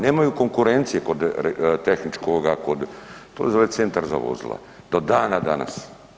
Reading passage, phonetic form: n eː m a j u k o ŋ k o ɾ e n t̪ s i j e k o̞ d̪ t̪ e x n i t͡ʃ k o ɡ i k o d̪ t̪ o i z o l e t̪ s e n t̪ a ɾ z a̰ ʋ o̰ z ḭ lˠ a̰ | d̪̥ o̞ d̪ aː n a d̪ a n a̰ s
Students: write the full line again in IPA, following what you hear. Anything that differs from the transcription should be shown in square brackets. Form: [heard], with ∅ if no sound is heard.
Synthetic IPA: n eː m a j u k o ŋ k [u] ɾ e n t̪ s i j e k o̞ d̪ t̪ e x n i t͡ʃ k o ɡ [a] k o d̪ t̪ o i z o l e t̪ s e n t̪ a ɾ z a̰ ʋ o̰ z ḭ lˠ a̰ | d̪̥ o̞ d̪ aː n a d̪ a n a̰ s